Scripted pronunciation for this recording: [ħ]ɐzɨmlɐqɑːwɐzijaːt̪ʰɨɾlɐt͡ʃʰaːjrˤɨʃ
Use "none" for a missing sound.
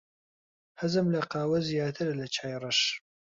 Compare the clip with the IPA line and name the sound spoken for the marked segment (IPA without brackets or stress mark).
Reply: h